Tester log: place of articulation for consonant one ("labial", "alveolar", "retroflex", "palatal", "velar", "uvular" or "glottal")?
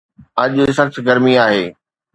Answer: palatal